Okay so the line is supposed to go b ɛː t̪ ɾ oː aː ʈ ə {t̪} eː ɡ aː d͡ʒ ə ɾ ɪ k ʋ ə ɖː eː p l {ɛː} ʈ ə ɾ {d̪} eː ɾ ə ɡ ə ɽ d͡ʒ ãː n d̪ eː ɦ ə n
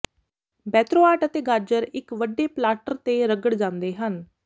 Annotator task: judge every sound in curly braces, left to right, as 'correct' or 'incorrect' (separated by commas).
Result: correct, incorrect, incorrect